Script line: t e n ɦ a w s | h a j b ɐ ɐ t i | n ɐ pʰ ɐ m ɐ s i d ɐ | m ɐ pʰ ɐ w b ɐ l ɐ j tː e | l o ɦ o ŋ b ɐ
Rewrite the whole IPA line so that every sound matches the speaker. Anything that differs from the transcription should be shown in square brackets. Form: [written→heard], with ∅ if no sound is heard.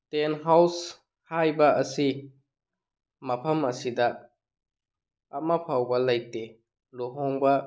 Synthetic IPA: t e n ɦ a w s | h a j b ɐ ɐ [t→s] i | [n→m] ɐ pʰ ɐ m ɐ s i d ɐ | m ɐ pʰ [ɐ→a] w b ɐ l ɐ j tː e | l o ɦ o ŋ b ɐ